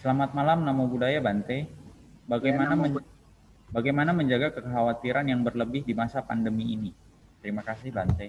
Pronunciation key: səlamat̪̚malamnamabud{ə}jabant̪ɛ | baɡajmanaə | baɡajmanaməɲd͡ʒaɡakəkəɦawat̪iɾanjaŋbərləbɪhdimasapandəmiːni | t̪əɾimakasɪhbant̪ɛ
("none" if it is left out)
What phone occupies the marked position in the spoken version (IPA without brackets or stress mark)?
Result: a